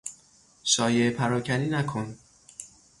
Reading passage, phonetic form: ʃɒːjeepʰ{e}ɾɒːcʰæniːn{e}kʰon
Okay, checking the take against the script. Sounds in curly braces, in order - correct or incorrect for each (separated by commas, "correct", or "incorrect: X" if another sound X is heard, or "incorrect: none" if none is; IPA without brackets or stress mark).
incorrect: æ, incorrect: æ